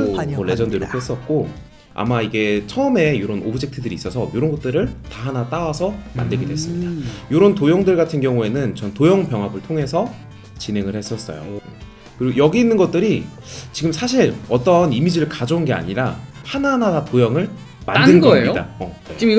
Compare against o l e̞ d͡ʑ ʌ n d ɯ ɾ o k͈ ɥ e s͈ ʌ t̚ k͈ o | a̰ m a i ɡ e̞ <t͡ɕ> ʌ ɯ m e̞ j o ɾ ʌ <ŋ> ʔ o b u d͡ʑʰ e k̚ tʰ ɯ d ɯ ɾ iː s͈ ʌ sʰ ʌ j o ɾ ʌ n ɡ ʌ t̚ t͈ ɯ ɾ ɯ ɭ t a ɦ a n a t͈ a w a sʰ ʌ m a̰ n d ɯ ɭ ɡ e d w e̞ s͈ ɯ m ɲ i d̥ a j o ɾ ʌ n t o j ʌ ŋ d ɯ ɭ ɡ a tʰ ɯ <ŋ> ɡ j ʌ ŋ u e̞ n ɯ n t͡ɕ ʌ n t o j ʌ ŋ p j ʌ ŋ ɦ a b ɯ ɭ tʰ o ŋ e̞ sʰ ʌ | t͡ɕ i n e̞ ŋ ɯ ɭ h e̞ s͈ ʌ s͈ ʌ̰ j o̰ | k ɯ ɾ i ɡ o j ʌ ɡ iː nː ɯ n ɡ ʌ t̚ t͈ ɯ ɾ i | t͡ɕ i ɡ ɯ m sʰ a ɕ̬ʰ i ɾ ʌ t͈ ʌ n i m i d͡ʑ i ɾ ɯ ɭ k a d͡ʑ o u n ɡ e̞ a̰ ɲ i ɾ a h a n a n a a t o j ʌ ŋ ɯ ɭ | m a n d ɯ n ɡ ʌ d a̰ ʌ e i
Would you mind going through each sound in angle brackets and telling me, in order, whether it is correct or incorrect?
incorrect: t͡ɕʰ, incorrect: n, incorrect: n

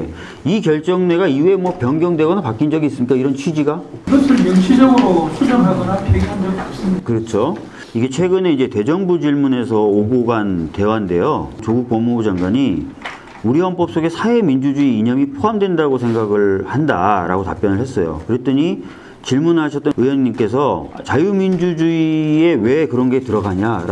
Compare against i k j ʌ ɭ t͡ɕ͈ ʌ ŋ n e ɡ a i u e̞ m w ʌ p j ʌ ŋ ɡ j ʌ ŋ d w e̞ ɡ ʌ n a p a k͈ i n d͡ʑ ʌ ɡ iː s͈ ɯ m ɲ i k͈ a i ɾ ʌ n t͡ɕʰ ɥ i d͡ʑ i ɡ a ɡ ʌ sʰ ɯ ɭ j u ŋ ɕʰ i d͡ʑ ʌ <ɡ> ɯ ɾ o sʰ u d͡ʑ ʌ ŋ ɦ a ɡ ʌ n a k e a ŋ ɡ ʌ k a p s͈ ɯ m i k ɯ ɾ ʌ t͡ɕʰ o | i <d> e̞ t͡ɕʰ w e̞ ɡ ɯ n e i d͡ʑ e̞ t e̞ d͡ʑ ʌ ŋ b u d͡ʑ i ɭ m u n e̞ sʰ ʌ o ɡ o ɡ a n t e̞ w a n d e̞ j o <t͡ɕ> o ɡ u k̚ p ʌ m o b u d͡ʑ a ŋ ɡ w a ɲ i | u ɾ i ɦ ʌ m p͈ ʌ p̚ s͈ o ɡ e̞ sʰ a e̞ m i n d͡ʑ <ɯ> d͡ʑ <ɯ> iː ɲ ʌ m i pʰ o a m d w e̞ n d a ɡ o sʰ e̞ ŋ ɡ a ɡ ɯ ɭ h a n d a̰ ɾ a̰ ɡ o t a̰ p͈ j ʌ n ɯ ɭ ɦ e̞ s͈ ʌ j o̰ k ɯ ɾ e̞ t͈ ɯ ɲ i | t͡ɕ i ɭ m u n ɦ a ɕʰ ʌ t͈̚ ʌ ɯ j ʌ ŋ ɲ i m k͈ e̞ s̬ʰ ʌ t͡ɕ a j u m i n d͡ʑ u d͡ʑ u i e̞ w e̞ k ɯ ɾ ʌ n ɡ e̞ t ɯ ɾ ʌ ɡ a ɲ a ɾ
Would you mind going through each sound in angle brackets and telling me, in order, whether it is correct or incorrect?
correct, incorrect: ɡ, correct, incorrect: u, incorrect: u

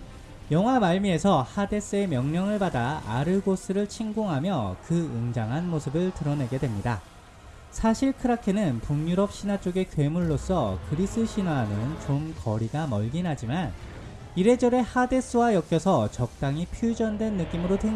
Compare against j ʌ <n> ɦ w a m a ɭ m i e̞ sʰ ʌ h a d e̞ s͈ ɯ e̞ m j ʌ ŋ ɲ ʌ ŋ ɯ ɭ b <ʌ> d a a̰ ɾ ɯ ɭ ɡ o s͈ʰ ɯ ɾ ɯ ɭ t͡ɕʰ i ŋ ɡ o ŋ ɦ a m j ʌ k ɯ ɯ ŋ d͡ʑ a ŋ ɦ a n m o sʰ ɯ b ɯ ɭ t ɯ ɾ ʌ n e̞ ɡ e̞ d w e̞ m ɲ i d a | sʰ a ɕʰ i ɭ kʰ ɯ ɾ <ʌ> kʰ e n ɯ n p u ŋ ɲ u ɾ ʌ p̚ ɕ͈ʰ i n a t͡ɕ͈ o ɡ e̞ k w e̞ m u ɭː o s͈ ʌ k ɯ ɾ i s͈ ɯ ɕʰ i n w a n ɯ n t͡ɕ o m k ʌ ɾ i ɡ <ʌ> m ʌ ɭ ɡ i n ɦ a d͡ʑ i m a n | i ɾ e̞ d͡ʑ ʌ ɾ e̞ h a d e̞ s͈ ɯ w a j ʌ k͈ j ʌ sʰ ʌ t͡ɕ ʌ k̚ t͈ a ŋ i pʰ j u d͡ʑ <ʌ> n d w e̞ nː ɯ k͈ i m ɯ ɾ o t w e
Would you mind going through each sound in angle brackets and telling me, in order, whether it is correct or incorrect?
incorrect: ŋ, incorrect: a, incorrect: a, incorrect: a, correct

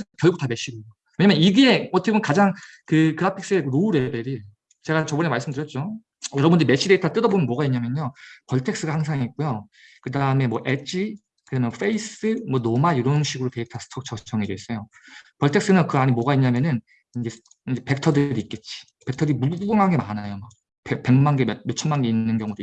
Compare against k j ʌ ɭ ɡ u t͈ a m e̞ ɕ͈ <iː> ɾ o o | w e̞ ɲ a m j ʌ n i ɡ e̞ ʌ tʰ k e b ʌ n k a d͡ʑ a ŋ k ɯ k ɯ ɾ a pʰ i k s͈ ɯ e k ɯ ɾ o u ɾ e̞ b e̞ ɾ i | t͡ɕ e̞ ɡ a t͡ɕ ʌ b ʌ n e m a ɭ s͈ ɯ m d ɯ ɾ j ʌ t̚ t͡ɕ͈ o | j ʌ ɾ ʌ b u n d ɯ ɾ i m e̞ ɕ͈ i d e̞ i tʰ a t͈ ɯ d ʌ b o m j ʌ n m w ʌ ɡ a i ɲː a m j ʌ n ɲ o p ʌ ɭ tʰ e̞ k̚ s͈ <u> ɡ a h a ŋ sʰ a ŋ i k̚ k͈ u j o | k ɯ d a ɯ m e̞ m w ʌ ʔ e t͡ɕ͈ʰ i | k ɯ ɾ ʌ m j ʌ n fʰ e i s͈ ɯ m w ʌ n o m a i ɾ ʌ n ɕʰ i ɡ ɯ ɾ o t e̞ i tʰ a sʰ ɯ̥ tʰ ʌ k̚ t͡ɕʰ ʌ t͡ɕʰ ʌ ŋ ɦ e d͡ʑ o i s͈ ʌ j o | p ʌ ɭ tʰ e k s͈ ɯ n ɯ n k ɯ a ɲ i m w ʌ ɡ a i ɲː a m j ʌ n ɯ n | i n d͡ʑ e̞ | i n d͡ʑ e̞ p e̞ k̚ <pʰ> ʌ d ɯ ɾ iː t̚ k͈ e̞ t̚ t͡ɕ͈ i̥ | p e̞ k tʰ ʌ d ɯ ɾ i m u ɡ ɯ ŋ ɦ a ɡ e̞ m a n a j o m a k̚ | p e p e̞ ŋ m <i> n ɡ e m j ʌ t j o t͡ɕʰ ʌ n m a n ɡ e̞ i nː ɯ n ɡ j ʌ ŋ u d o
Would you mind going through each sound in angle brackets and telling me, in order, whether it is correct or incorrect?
incorrect: i, incorrect: ɯ, incorrect: tʰ, incorrect: a

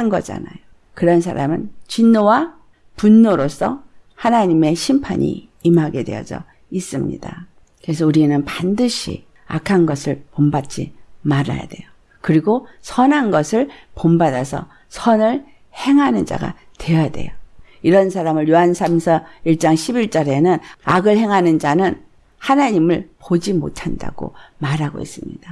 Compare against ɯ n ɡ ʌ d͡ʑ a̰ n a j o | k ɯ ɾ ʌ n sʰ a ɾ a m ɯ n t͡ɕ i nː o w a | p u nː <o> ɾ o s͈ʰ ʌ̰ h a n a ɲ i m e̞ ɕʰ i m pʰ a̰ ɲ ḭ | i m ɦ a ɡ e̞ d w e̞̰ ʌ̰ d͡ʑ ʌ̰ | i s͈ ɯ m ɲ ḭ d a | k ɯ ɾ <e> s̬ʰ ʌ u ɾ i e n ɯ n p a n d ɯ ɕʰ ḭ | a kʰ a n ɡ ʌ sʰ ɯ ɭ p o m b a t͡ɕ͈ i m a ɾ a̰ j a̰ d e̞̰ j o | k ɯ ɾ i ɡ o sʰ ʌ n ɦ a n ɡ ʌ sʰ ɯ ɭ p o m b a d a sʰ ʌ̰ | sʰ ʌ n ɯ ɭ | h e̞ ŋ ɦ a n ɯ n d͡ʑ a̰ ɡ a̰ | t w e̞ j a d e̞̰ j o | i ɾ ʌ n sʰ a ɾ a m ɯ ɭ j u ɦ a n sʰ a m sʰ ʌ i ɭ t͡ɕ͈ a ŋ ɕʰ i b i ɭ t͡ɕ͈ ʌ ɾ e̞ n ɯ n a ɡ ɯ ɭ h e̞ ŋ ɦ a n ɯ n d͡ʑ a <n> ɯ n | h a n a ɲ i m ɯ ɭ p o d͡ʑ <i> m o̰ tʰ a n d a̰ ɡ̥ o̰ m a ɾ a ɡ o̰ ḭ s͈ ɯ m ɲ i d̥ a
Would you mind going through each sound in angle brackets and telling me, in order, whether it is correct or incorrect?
correct, correct, correct, correct

